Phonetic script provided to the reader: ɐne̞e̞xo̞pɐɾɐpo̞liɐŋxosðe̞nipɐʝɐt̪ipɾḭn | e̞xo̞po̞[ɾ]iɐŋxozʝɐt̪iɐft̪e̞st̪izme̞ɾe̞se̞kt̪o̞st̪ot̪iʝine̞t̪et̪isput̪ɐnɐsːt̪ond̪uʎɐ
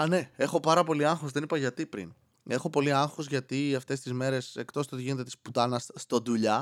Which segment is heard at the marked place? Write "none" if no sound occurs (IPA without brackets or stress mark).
l